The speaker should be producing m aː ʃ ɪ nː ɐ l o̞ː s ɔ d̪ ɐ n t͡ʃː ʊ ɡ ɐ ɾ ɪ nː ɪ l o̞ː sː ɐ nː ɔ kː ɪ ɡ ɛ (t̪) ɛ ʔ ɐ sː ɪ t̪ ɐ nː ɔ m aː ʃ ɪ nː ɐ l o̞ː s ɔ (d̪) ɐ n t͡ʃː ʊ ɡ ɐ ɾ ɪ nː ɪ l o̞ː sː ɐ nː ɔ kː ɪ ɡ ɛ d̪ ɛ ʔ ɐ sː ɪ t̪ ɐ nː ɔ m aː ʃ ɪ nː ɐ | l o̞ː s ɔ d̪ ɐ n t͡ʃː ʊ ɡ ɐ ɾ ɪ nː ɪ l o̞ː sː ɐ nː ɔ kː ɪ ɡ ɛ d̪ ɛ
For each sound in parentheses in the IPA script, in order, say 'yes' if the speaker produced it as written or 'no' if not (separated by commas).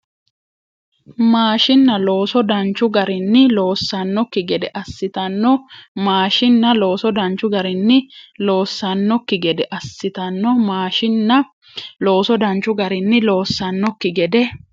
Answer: no, yes